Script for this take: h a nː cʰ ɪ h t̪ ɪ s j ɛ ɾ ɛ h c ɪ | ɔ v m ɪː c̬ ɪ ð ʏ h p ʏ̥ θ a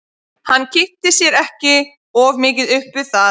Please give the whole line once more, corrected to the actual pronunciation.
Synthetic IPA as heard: h a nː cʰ ɪ h t̪ ɪ s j ɛ ɾ ɛ h c ɪ | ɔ v m ɪː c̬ ɪ ð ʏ h p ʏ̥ θ a